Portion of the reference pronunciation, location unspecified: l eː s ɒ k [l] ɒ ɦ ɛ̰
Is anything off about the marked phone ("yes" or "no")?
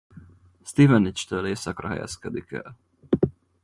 yes